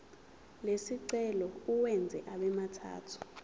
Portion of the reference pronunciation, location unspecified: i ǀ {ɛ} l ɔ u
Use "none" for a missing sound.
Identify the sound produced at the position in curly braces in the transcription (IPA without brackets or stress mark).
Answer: ɛ